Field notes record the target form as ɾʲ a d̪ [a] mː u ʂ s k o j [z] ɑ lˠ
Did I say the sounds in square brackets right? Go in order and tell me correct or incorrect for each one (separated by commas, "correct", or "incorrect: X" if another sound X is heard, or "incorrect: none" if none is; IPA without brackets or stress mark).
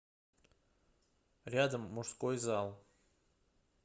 incorrect: ə, correct